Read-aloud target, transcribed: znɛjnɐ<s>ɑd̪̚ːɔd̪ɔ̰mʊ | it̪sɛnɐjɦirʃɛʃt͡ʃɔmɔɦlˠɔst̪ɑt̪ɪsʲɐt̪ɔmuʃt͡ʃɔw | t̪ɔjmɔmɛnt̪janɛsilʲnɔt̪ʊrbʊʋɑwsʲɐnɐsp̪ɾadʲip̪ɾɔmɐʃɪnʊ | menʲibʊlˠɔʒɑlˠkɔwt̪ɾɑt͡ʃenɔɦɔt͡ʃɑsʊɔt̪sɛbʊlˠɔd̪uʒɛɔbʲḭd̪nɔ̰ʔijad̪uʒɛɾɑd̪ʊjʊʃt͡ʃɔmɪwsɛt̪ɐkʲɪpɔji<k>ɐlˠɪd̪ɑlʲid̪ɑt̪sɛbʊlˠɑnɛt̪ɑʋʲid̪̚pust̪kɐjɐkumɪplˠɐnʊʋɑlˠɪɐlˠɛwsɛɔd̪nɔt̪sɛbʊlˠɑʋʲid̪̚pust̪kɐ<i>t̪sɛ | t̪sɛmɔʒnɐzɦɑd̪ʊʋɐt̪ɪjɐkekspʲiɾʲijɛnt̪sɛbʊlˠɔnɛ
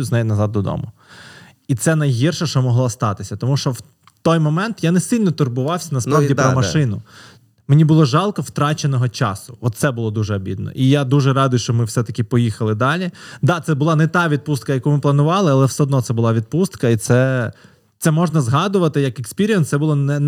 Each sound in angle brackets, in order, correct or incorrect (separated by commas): incorrect, incorrect, correct